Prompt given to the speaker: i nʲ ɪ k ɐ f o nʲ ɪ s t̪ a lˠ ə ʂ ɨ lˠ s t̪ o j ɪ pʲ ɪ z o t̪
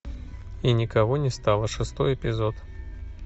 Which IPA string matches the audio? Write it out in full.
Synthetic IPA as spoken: i nʲ ɪ k ɐ v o nʲ ɪ s t̪ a lˠ ə ʂ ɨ s t̪ o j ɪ pʲ ɪ z o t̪